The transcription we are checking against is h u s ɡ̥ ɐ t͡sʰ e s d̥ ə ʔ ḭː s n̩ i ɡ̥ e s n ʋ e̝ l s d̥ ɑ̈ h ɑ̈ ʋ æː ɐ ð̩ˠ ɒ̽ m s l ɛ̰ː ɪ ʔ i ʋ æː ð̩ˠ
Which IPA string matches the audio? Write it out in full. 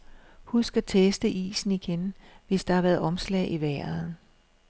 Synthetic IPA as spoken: h u s ɡ̥ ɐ t͡sʰ e s d̥ ə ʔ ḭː s n̩ i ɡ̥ e n ʋ e̝ s d̥ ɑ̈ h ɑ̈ ʋ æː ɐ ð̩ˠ ɒ̽ m s l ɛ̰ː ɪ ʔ i ʋ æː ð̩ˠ